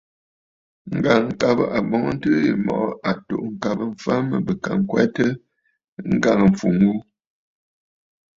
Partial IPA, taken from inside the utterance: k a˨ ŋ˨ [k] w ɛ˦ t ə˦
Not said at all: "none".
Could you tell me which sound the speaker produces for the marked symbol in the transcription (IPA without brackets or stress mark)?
k